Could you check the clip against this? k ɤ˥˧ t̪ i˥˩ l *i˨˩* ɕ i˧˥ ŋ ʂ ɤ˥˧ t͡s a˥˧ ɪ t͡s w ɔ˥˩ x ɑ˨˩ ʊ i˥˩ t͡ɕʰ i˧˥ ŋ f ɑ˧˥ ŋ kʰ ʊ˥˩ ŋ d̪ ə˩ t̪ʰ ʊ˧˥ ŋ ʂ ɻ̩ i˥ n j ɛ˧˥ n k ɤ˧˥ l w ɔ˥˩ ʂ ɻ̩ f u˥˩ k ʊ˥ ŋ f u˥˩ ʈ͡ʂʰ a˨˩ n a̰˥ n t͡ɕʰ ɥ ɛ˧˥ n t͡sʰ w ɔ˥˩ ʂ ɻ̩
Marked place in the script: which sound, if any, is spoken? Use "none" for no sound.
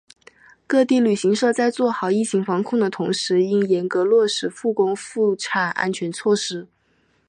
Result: y˨˩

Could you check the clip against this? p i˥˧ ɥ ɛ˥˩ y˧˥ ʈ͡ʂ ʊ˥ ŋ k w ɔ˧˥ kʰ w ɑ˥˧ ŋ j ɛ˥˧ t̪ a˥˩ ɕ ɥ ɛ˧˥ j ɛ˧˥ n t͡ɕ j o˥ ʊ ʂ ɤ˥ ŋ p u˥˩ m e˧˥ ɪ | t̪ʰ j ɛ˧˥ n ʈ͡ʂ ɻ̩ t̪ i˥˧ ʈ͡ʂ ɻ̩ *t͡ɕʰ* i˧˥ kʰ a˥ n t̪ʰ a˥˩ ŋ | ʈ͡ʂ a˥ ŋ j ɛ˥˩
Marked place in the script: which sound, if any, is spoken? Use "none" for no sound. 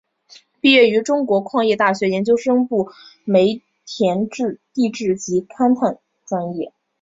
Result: t͡ɕ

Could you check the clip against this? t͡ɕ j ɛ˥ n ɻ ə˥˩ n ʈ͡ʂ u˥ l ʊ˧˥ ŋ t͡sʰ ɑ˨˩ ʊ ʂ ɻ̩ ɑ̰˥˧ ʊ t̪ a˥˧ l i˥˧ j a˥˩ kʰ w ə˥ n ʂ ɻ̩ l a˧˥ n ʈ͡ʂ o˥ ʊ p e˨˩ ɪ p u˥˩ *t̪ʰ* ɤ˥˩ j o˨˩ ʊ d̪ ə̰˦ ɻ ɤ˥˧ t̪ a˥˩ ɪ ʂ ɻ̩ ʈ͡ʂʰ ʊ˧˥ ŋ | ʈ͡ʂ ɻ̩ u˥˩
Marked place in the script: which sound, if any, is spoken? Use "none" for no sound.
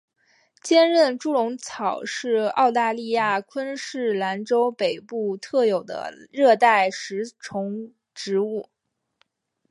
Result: t̪ʰ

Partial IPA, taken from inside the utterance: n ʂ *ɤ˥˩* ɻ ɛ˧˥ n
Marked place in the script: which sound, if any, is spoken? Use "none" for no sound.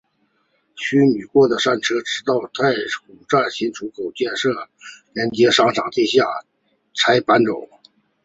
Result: ɤ˥˩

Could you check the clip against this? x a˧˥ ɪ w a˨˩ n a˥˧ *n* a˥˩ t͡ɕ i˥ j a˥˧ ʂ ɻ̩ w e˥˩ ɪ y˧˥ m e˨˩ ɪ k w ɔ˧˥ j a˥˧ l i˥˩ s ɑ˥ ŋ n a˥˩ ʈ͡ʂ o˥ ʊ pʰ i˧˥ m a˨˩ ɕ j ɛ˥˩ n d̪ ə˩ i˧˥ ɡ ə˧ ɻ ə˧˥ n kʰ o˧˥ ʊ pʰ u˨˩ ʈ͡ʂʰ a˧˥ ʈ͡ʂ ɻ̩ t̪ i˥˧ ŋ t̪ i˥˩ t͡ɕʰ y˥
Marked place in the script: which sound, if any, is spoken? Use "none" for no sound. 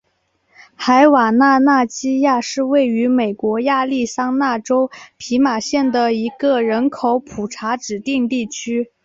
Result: n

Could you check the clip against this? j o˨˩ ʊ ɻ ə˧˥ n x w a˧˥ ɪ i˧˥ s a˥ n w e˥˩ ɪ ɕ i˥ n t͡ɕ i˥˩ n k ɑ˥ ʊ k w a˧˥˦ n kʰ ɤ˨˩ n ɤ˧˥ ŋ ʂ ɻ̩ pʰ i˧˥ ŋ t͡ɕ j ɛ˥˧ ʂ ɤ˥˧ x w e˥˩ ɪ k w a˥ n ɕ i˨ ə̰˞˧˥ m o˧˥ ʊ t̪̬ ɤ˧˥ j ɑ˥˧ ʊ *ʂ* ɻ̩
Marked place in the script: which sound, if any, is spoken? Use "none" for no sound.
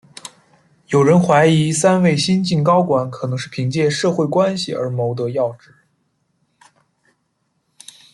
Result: ʈ͡ʂ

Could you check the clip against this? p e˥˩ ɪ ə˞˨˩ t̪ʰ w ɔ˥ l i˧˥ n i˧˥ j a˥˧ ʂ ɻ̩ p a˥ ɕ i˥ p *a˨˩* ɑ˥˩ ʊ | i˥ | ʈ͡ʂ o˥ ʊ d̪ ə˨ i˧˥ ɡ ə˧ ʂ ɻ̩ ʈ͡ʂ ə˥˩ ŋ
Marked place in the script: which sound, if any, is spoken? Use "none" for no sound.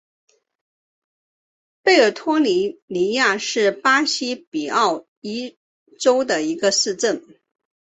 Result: i˨˩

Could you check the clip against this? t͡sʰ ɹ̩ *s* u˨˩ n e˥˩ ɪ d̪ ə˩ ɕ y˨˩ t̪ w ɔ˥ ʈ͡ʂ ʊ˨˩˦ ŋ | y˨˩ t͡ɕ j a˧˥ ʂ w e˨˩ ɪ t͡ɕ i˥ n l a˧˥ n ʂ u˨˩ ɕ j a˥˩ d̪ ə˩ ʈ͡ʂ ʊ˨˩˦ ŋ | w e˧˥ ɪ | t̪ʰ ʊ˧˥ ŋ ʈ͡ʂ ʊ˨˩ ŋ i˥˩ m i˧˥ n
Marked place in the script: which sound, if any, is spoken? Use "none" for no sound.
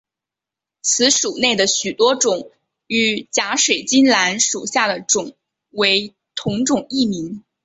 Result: ʂ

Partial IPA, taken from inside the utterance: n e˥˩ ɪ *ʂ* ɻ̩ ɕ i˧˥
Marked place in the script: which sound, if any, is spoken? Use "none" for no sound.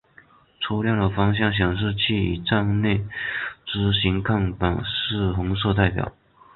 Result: ʈ͡ʂ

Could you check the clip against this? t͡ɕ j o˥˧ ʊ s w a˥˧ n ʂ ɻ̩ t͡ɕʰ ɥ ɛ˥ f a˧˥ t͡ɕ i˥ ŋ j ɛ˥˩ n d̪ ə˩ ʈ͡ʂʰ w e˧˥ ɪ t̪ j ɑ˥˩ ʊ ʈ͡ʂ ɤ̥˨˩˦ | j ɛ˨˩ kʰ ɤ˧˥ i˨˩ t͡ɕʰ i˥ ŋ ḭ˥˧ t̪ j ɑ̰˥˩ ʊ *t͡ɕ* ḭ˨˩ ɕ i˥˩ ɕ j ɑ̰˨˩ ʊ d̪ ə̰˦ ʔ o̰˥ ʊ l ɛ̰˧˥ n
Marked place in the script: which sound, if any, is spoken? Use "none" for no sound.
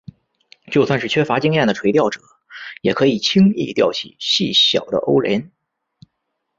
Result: t͡ɕʰ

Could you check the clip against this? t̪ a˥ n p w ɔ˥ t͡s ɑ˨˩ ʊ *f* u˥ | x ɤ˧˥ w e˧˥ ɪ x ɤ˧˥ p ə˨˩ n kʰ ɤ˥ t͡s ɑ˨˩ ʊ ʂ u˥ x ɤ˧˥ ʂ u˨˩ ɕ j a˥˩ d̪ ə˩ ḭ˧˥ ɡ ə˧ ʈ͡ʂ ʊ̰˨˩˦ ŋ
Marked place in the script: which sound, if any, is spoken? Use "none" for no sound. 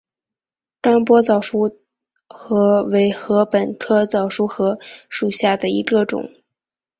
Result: ʂ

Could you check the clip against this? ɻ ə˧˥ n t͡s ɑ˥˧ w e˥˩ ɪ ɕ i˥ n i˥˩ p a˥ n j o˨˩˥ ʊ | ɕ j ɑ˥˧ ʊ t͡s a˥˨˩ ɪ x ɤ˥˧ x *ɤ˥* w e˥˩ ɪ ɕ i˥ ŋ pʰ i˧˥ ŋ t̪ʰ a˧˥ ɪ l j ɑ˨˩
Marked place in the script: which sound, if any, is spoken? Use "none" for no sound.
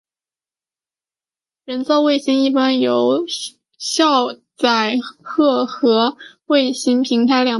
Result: ɤ˧˥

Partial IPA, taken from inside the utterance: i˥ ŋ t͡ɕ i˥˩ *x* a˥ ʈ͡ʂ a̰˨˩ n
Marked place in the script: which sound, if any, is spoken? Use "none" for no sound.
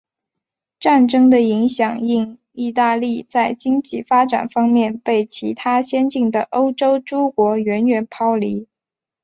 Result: f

